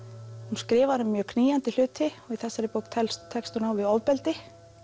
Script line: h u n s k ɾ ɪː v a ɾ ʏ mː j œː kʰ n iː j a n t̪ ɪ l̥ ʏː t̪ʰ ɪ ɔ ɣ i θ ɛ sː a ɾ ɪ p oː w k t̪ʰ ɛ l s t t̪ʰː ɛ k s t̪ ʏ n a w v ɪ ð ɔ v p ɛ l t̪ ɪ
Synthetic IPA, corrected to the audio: h u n s k ɾ ɪː v a ɾ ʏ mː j œː kʰ n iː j a n t̪ ɪ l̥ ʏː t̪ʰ ɪ ɔ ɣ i θ ɛ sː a ɾ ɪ p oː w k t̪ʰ ɛ l s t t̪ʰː ɛ k s t̪ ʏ n a w v ɪ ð ɔ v p ɛ l t̪ ɪ